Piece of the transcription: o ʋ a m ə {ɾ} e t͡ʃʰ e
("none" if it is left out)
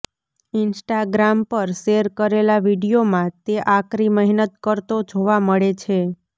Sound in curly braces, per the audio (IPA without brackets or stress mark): ɭ